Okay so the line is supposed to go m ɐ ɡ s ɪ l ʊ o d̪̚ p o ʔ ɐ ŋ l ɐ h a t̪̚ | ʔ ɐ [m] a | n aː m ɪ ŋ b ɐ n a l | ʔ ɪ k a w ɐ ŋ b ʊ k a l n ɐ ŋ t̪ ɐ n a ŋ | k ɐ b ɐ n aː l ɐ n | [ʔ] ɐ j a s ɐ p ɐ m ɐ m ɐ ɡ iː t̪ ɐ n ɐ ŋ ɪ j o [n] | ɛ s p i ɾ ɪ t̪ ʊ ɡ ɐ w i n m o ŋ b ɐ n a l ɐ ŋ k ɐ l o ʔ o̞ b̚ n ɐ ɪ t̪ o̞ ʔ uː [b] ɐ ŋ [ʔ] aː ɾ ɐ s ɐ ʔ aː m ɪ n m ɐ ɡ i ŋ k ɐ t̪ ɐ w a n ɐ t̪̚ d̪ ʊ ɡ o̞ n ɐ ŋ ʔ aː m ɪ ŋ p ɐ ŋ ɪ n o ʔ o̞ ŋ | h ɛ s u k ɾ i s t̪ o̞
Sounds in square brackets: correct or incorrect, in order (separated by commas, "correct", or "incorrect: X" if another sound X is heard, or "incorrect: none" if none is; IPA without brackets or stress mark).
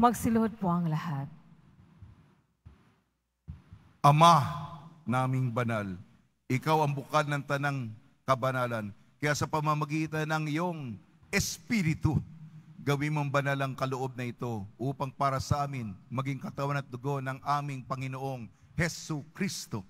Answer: correct, incorrect: k, incorrect: ŋ, incorrect: p, incorrect: p